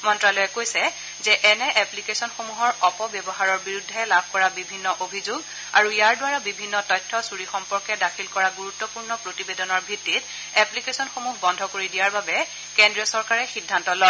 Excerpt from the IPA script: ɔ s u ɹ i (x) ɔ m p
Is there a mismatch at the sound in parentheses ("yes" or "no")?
no